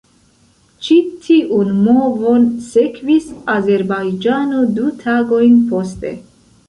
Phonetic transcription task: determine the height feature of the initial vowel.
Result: high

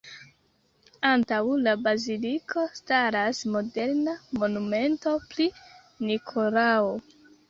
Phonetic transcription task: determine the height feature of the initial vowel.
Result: low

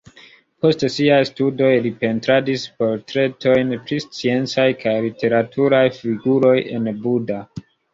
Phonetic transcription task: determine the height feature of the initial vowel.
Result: mid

